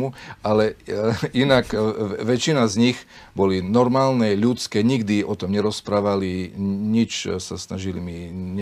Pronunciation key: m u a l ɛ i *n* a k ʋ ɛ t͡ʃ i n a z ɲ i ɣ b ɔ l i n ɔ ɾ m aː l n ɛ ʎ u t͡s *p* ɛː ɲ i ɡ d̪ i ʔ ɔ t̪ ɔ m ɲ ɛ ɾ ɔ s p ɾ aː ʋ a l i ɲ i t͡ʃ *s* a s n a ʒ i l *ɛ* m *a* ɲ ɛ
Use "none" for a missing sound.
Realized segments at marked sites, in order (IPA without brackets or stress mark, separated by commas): n, k, s, i, i